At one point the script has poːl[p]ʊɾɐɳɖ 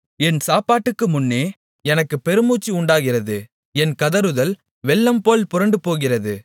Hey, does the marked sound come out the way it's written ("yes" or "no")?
yes